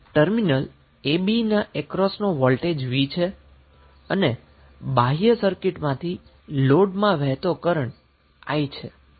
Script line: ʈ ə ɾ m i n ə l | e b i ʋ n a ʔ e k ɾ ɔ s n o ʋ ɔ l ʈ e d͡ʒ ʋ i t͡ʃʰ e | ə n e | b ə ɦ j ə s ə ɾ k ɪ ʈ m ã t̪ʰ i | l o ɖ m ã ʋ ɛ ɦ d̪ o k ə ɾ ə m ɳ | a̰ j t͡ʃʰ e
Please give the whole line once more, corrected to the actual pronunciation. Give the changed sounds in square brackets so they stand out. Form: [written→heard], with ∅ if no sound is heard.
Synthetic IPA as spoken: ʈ ə ɾ m i n ə l | e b i [ʋ→∅] n a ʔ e k ɾ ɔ s n o ʋ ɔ l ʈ e d͡ʒ ʋ i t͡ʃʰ e | ə n e | b [ə→a] ɦ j ə s ə ɾ k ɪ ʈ m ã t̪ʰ i | l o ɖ m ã ʋ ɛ ɦ [d̪→t̪] o k ə ɾ ə [m→∅] ɳ | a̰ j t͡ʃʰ e